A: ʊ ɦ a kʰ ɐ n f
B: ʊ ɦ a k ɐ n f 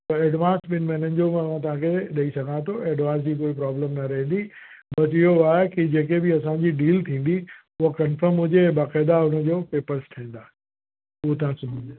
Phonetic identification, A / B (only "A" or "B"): B